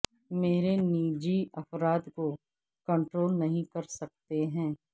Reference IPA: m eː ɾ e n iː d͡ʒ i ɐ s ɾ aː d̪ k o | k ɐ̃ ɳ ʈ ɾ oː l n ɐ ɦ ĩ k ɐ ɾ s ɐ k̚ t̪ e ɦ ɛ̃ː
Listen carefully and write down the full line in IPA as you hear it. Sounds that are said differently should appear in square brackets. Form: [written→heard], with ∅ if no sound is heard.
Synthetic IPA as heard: m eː ɾ e n iː d͡ʒ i ɐ [s→f] ɾ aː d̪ k o | k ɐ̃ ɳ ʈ ɾ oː l n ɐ ɦ ĩ k ɐ ɾ s ɐ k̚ t̪ e ɦ ɛ̃ː